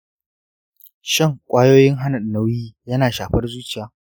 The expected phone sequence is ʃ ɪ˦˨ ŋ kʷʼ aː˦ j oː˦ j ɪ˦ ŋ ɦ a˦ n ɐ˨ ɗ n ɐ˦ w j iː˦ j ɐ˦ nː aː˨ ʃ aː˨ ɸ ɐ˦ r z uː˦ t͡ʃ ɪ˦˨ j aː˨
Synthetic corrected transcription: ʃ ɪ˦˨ ŋ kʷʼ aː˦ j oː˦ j ɪ˦ ŋ ɦ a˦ n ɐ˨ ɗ n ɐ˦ w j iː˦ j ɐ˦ n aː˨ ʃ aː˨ ɸ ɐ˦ r z uː˦ t͡ʃ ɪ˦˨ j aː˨